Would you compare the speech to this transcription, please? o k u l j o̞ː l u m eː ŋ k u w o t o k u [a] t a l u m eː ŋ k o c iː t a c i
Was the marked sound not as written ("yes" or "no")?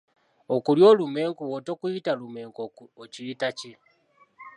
yes